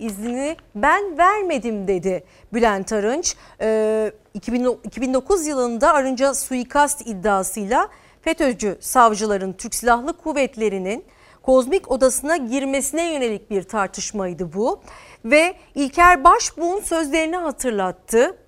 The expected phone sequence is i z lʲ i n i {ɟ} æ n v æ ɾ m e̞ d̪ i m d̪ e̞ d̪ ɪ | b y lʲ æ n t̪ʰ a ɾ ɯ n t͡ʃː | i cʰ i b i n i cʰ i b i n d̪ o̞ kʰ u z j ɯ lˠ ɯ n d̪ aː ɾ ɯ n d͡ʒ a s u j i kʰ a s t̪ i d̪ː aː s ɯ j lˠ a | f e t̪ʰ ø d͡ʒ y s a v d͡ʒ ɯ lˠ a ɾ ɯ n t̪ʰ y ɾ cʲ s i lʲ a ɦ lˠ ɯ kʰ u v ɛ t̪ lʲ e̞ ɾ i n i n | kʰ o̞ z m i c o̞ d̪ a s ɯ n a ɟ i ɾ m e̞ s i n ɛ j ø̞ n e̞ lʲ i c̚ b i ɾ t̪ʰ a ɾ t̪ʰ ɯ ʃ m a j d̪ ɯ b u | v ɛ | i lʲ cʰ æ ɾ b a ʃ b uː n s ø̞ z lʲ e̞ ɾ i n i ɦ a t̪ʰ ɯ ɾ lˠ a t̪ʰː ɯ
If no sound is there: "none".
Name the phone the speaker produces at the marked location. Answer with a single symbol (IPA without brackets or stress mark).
b